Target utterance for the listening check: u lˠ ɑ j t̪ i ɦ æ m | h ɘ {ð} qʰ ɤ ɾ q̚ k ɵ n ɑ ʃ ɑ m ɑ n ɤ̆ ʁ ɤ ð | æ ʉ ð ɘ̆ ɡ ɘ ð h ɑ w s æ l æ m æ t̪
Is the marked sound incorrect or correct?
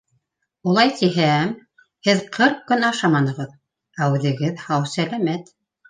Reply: correct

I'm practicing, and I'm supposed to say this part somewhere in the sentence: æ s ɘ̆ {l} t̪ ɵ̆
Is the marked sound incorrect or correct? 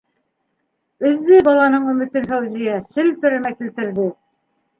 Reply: correct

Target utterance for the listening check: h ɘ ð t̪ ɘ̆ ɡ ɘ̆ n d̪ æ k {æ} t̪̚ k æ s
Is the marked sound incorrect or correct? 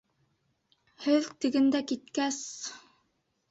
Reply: incorrect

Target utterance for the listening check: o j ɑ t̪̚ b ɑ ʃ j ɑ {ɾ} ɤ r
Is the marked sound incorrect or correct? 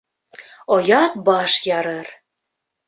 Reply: correct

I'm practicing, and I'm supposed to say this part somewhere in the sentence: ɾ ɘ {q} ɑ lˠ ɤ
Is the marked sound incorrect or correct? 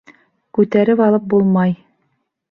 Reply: incorrect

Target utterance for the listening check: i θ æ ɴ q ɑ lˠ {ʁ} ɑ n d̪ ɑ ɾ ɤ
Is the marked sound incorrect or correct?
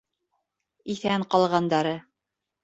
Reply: correct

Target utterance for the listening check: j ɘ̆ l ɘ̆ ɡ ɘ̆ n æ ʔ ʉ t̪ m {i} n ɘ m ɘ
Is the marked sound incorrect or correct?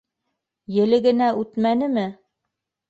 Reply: incorrect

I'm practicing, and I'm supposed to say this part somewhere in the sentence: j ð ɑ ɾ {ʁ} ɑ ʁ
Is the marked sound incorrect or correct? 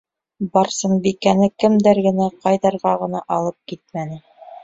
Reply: correct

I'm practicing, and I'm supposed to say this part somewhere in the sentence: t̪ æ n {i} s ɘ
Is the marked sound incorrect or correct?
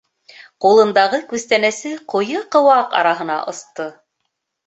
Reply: incorrect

